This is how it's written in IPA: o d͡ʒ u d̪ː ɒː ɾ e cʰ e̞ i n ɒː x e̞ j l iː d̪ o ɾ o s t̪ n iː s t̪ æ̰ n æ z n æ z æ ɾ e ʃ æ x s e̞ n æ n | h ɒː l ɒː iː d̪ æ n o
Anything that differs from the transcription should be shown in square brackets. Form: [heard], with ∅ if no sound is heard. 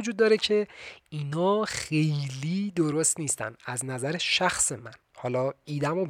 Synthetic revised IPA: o d͡ʒ u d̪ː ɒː ɾ e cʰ e̞ i n ɒː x e̞ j l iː d̪ o ɾ o s t̪ n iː s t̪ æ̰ n æ z n æ z æ ɾ e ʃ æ x s e̞ [m] æ n | h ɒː l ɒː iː d̪ æ [m] o